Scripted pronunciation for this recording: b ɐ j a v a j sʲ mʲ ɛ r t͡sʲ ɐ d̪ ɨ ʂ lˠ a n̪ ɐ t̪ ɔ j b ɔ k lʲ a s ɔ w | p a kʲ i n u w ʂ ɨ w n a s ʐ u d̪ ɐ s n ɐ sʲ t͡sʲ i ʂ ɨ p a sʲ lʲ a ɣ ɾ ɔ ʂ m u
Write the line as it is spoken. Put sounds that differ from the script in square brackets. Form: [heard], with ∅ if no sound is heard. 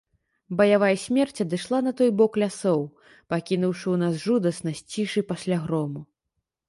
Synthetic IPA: b ɐ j a v a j sʲ mʲ ɛ r t͡sʲ ɐ d̪ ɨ ʂ lˠ a n̪ ɐ t̪ ɔ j b ɔ k lʲ a s ɔ w | p a kʲ i n u w ʂ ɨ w n a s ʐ u d̪ ɐ s n ɐ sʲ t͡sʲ i ʂ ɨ p a sʲ lʲ a ɣ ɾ ɔ [∅] m u